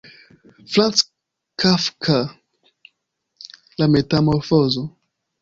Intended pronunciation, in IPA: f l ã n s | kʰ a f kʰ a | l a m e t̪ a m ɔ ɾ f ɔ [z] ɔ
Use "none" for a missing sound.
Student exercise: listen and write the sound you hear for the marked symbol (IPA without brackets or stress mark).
z